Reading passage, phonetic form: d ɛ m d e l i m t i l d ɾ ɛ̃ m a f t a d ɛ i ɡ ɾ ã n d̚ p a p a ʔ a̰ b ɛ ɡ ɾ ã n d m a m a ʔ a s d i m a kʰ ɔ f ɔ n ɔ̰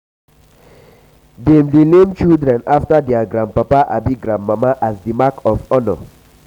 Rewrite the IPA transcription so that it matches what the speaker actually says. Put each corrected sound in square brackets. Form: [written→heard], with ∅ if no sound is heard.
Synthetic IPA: d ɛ m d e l [i→e] m [t→t͡ʃ] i l d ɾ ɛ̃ [m→n] a f t a d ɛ [i→a] ɡ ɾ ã n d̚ p a p a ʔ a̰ b [ɛ→i] ɡ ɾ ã n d m a m a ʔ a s d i m a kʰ ɔ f ɔ n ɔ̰